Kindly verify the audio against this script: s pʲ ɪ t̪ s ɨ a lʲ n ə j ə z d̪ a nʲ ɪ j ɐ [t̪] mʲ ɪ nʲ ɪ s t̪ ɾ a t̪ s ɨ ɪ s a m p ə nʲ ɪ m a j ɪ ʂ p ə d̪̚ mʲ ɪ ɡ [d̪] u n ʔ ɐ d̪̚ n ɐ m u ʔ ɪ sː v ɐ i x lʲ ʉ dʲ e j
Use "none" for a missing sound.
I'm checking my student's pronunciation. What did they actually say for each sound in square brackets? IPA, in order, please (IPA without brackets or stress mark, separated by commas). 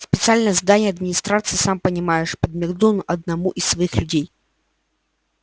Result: d̪, d̪